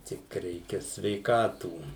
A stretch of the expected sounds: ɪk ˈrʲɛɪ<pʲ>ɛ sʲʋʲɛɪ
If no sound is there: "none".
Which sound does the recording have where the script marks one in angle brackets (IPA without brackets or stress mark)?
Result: kʲ